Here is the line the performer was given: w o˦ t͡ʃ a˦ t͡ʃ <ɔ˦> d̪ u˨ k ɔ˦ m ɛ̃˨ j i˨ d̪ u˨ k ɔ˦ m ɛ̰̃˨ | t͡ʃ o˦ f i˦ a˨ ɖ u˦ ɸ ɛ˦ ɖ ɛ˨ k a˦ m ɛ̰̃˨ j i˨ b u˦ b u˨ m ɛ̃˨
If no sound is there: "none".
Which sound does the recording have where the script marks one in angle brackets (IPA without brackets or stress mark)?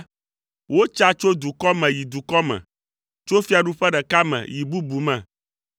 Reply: o˦